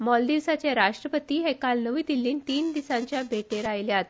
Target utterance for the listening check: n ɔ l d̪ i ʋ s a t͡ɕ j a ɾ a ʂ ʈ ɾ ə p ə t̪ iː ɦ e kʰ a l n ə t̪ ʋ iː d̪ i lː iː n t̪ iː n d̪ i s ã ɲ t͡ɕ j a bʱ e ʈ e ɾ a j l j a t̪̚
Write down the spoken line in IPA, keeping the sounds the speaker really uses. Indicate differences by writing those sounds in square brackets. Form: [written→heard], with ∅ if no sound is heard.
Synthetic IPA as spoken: [n→m] ɔ l d̪ i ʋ s a t͡ɕ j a ɾ a ʂ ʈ ɾ ə p ə t̪ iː ɦ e [kʰ→k] a l n ə [t̪→∅] ʋ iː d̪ i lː iː n t̪ iː n d̪ i s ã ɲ t͡ɕ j a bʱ e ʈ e ɾ a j l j a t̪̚

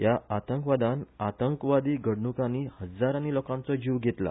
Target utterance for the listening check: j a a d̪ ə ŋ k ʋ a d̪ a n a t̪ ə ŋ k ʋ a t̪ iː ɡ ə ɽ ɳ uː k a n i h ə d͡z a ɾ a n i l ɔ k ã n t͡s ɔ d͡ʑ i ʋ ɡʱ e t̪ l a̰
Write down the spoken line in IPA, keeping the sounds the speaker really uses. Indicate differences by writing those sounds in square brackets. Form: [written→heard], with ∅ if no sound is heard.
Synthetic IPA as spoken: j a a [d̪→t̪] ə ŋ k ʋ a d̪ a n a t̪ ə ŋ k ʋ a [t̪→d̪] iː ɡ ə ɽ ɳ [uː→u] k a n i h ə d͡z a ɾ a n i l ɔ k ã n t͡s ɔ d͡ʑ i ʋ ɡʱ e t̪ l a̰

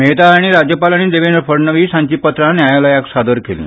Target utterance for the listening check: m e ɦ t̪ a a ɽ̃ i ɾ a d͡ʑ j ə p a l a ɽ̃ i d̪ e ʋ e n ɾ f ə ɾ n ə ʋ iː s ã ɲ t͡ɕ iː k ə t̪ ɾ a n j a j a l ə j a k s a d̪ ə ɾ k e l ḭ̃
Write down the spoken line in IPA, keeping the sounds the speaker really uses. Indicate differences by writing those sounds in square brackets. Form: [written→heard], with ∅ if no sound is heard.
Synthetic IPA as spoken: m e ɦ t̪ a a ɽ̃ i ɾ a d͡ʑ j ə p a l a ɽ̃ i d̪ e ʋ e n ɾ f ə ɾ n ə ʋ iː s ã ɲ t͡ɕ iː [k→p] ə t̪ ɾ a n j a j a l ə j a k s a d̪ ə ɾ k e l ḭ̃

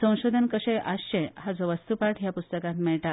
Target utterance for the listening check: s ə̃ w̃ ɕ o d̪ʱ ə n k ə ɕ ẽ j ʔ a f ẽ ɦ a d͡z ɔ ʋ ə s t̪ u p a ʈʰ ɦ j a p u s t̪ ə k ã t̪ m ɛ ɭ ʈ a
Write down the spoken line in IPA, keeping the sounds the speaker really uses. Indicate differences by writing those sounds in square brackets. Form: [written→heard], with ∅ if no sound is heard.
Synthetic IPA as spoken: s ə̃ w̃ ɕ o d̪ʱ ə n k ə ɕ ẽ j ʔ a [f→ɕ] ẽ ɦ a d͡z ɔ ʋ ə s t̪ u p a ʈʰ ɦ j a p u s t̪ ə k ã t̪ m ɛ ɭ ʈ a

